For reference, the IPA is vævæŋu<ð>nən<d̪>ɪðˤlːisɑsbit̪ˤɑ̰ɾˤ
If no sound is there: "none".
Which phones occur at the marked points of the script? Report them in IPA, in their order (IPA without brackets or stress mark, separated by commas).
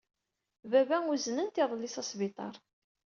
z, t̪